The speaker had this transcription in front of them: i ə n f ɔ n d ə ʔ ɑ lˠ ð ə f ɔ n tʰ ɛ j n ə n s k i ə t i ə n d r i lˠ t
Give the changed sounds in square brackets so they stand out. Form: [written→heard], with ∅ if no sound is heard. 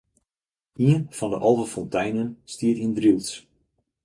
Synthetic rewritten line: i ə n f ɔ n d ə ʔ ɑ lˠ [ð→v] ə f ɔ n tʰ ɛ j n ə n s [k→t] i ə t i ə n d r i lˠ [t→s]